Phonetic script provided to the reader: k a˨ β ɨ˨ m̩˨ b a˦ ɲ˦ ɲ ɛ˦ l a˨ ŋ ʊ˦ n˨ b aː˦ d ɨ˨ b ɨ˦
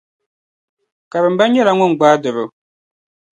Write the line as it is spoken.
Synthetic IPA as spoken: k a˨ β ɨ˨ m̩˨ b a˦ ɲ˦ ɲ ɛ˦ l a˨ ŋ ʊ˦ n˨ ɡ͡b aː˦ d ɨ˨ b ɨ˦